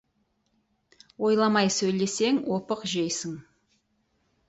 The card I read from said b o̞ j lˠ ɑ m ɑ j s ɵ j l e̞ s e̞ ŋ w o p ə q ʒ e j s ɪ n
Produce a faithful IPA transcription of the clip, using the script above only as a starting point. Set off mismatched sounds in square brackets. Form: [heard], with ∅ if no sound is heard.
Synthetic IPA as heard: [w] o̞ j lˠ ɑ m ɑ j s ɵ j l e̞ s e̞ ŋ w o p ə q ʒ e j s ɪ [ŋ]